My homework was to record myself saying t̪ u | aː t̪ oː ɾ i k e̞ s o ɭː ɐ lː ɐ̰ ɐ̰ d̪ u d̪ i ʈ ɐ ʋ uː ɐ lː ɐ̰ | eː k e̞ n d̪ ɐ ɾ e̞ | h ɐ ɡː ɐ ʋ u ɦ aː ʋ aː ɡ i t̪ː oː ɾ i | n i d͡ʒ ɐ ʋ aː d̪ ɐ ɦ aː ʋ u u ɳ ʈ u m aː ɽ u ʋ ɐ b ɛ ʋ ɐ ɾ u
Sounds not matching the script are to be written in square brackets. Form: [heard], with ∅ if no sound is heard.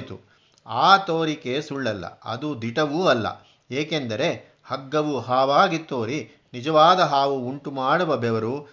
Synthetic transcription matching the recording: t̪ u | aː t̪ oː ɾ i k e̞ s [u] ɭː ɐ lː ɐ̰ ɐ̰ d̪ u d̪ i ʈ ɐ ʋ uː ɐ lː ɐ̰ | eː k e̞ n d̪ ɐ ɾ e̞ | h ɐ ɡː ɐ ʋ u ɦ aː ʋ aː ɡ i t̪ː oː ɾ i | n i d͡ʒ ɐ ʋ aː d̪ ɐ ɦ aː ʋ u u ɳ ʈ u m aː ɽ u ʋ ɐ b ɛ ʋ ɐ ɾ u